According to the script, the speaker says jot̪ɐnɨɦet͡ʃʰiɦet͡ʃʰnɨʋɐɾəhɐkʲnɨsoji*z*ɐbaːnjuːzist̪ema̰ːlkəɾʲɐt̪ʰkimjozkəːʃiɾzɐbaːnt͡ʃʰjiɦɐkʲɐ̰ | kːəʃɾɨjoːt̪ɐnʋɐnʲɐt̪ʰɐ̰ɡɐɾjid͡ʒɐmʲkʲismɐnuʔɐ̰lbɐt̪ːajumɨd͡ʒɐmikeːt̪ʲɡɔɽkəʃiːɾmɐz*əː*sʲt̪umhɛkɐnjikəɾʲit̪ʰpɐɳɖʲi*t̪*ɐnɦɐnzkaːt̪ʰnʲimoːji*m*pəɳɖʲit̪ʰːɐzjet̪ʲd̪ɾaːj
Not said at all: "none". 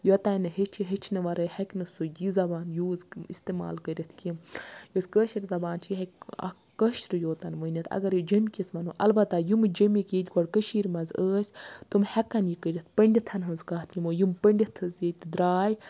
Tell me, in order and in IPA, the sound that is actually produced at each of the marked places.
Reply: z, əː, t̪ʰ, m

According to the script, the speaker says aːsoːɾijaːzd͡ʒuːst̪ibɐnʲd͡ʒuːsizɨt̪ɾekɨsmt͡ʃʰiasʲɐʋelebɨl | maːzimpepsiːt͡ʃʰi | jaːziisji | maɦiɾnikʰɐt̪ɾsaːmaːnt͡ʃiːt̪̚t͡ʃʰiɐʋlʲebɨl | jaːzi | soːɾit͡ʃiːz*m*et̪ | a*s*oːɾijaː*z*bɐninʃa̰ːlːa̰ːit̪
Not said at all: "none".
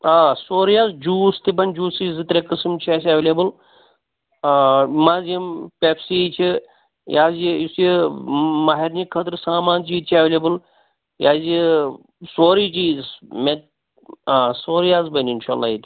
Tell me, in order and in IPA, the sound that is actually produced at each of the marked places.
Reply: m, s, z

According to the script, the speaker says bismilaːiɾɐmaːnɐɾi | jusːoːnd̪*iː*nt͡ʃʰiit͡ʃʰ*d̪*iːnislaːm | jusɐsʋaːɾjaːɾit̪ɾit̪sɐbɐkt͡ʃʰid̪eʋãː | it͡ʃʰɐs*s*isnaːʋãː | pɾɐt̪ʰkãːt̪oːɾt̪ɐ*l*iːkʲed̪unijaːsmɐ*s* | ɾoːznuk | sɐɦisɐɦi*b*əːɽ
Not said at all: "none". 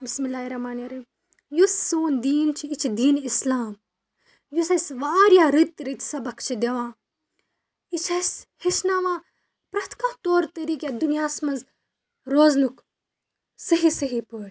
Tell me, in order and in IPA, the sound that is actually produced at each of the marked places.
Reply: iː, d̪, h, ɾ, z, p

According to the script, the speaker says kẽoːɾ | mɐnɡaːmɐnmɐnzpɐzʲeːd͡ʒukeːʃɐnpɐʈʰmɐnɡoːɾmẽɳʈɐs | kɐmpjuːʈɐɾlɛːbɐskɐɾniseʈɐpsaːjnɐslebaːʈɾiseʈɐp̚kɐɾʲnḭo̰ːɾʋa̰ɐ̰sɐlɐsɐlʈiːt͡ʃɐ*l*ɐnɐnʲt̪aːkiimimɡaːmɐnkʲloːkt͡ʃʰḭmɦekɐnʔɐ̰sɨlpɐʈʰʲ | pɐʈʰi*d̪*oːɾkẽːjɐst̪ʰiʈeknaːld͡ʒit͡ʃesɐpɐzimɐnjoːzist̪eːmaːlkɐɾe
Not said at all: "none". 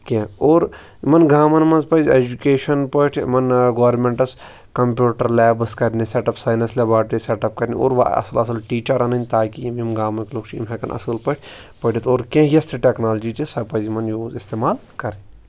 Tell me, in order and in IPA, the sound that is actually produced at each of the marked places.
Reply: ɾ, t̪

